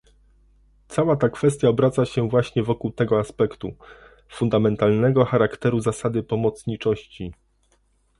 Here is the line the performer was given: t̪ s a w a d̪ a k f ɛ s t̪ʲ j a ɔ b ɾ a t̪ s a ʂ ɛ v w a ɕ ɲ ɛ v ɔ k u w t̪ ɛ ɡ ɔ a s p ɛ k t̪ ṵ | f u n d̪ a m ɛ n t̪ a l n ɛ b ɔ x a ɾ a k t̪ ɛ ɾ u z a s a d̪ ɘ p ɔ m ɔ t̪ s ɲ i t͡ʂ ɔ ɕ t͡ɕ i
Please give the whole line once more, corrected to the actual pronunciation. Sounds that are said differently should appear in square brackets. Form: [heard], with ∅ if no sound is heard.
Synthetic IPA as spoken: t̪ s a w a [t̪] a k f ɛ s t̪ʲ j a ɔ b ɾ a t̪ s a [ɕ] ɛ v w a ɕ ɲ ɛ v ɔ k u w t̪ ɛ ɡ ɔ a s p ɛ k t̪ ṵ | f u n d̪ a m ɛ n t̪ a l n ɛ [ɡ] ɔ x a ɾ a k t̪ ɛ ɾ u z a s a d̪ ɘ p ɔ m ɔ t̪ s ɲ i t͡ʂ ɔ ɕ t͡ɕ i